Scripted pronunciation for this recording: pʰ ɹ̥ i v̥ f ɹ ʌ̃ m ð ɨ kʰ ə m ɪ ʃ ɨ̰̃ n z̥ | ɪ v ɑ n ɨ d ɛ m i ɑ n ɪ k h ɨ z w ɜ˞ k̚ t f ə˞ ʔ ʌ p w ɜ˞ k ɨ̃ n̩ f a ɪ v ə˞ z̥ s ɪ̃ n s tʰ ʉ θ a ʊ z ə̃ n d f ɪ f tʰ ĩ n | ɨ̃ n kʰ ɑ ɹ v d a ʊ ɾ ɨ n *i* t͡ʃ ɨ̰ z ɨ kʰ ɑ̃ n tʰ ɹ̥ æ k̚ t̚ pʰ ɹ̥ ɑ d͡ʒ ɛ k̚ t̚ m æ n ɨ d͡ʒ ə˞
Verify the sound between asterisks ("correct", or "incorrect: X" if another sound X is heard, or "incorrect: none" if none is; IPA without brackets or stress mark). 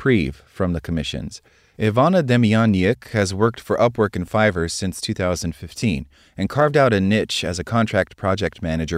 incorrect: ɪ